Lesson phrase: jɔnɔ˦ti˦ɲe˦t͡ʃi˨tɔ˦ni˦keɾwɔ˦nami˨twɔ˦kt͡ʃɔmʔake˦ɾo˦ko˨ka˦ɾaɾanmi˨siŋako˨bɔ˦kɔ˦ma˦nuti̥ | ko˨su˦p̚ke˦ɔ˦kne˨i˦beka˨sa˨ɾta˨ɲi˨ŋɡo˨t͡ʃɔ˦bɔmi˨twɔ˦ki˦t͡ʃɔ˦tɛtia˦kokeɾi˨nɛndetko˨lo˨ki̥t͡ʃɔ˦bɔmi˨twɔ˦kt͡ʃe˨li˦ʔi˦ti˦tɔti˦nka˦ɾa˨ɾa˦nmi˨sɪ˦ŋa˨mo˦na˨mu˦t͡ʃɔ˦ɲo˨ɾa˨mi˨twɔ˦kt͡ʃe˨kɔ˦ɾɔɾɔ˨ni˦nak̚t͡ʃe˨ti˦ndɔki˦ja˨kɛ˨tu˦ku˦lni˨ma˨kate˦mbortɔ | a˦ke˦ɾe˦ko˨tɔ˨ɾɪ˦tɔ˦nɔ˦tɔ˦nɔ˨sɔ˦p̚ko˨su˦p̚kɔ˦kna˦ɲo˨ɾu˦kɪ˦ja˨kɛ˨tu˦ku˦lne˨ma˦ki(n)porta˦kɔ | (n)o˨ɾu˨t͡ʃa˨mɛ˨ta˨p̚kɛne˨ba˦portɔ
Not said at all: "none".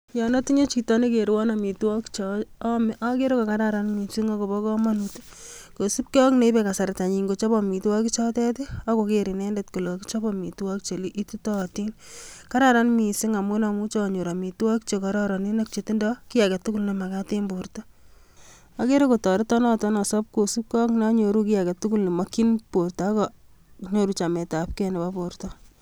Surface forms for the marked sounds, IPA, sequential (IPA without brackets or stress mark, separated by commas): n, ɲ